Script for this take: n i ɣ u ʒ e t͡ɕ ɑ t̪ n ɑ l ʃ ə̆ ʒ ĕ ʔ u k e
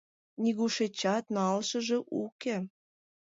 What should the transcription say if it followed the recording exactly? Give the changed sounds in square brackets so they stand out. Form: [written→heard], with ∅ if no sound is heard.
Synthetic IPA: n i ɣ u [ʒ→ʃ] e t͡ɕ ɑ t̪ n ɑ l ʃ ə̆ ʒ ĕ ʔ u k e